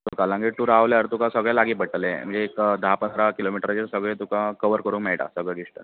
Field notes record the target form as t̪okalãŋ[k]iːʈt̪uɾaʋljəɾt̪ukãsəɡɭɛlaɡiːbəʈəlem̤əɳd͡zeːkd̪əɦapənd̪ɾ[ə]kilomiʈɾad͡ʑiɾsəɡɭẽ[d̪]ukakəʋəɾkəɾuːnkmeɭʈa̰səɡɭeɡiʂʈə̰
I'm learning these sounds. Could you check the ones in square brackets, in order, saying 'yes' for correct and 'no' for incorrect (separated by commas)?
no, no, no